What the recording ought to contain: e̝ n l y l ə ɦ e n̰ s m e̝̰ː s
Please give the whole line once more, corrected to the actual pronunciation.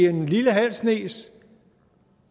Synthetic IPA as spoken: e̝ n l i l ə ɦ æ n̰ s n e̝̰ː s